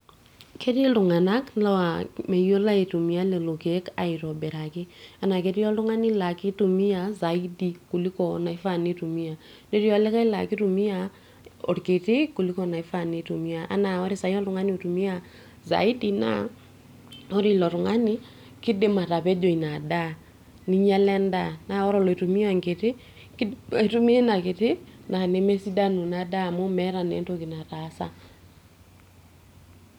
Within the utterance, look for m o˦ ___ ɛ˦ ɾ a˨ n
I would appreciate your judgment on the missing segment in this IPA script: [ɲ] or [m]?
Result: m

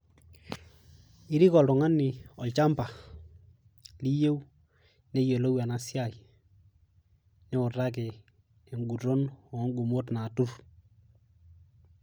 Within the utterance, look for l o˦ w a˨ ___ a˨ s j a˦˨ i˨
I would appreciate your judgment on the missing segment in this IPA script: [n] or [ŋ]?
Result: n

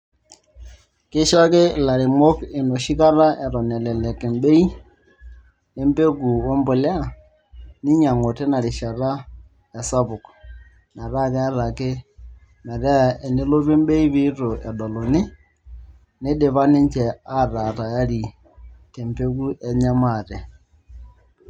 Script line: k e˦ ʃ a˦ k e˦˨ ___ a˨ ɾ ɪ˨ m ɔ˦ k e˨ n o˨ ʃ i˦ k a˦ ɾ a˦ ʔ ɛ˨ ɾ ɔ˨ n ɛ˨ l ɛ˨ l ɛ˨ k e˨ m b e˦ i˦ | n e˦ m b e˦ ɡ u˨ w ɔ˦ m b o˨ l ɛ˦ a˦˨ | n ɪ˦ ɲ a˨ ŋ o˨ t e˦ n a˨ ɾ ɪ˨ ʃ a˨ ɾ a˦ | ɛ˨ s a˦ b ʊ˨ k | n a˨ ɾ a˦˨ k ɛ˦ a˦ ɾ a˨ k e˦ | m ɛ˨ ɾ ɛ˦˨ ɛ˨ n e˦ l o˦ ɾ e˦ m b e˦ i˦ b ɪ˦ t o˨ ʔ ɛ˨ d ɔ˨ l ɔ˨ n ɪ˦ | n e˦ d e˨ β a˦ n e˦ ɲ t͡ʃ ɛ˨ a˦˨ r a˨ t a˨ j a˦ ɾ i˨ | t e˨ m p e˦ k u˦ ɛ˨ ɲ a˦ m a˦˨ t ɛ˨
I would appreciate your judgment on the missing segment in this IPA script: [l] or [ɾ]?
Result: l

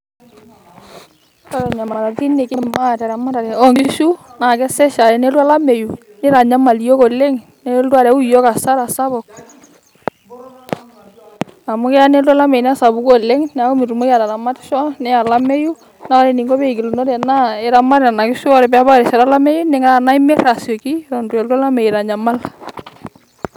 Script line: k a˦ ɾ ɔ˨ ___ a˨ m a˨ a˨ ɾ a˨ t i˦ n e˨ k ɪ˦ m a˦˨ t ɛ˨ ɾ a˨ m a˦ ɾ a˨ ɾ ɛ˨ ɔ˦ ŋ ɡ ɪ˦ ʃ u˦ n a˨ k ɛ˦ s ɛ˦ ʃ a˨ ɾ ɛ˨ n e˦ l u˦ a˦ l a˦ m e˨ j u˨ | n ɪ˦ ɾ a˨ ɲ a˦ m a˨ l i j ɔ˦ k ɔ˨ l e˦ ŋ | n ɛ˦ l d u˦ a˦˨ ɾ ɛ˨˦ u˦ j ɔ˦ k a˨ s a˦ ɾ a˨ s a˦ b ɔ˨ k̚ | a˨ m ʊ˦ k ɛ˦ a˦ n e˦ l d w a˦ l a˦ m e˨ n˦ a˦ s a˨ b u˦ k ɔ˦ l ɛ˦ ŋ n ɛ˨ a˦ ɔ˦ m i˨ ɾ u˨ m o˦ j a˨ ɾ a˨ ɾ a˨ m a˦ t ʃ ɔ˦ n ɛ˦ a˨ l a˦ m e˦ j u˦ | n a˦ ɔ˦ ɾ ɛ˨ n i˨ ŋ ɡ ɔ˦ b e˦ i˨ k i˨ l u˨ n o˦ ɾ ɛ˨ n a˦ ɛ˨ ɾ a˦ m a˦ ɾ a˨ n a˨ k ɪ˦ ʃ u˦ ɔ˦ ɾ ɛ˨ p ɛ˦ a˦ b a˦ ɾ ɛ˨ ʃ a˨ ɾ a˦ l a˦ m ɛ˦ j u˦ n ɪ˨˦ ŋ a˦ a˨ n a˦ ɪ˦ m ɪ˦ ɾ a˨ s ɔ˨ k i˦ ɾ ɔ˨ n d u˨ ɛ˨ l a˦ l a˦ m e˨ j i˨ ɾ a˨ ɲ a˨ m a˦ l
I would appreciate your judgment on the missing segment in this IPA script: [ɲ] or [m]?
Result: ɲ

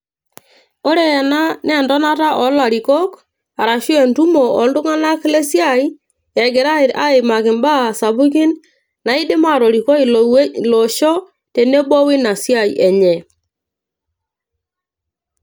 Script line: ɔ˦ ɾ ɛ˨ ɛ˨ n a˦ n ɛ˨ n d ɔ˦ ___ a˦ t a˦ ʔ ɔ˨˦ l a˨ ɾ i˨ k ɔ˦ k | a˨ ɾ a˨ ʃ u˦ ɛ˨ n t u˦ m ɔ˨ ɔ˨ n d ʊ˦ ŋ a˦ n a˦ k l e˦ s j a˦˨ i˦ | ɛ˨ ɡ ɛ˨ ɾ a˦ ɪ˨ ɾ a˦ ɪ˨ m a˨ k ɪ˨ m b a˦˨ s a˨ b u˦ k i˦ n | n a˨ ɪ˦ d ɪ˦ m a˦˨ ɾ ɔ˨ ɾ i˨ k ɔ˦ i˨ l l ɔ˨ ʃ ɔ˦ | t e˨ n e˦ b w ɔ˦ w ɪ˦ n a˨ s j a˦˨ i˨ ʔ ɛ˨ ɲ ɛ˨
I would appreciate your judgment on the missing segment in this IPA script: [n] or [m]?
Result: n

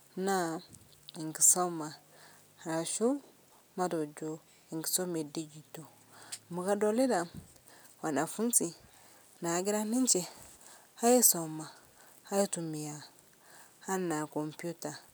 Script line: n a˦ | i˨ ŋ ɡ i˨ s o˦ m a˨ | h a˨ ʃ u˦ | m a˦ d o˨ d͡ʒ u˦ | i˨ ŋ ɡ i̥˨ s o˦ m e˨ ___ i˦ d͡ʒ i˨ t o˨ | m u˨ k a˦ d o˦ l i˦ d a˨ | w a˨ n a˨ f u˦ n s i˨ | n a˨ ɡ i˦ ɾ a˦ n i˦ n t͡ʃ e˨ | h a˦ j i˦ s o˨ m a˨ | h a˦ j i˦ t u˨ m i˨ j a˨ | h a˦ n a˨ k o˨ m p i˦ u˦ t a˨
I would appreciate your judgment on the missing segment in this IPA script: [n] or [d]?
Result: d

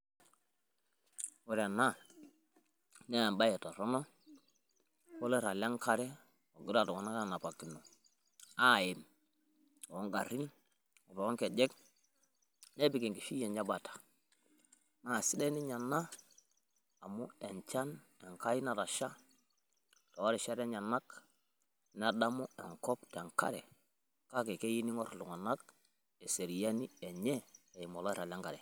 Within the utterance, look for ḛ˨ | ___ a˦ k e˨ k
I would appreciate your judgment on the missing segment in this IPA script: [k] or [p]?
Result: k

